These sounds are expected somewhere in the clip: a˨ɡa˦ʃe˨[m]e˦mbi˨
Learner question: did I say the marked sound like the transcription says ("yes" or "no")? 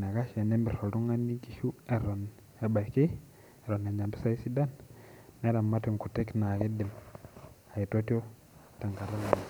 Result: no